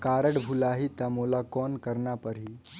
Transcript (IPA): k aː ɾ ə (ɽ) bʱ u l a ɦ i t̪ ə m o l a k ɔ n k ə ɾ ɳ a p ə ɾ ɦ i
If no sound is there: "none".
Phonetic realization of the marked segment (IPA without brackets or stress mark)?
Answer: ɽ